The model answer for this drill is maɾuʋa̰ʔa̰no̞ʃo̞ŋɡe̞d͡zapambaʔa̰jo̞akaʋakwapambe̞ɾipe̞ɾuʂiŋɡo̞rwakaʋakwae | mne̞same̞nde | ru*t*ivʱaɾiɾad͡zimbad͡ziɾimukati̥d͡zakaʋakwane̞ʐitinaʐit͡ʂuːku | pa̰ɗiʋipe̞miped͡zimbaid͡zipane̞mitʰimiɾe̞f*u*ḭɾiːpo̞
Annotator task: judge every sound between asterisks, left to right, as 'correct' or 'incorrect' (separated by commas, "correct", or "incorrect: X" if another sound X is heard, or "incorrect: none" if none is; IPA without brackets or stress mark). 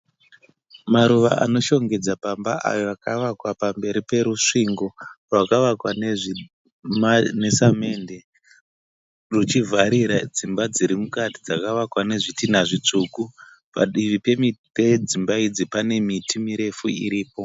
incorrect: t͡ʃ, correct